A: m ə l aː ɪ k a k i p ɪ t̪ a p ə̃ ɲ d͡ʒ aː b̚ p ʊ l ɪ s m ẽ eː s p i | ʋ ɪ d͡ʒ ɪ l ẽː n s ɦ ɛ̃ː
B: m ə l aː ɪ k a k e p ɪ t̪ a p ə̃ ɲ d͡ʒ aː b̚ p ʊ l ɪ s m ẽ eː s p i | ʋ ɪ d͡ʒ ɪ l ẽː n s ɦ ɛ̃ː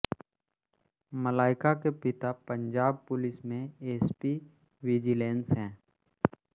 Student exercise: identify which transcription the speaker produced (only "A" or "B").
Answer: B